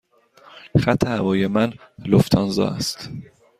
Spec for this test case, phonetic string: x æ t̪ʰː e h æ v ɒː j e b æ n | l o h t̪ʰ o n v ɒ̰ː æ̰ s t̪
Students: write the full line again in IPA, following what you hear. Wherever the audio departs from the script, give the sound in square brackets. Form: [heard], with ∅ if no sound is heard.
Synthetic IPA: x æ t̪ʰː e h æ v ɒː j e [m] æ n | l o [f] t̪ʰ [ɒ] n [z] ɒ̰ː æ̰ s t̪